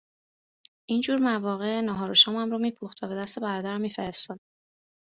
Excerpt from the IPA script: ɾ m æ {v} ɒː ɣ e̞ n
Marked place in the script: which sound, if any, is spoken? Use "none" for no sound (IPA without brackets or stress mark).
v